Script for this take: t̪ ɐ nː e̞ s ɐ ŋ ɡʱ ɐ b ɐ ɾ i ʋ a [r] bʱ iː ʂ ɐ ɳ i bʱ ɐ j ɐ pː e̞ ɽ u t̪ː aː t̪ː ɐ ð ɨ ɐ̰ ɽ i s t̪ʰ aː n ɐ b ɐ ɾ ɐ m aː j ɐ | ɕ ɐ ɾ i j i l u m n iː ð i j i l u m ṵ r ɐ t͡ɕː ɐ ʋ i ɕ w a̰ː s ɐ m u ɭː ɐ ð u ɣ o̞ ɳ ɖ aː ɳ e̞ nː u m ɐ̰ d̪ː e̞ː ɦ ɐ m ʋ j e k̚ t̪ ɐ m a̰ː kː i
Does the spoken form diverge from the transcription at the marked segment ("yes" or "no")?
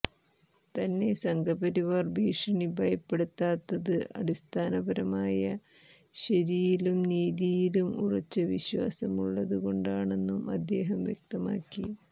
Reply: no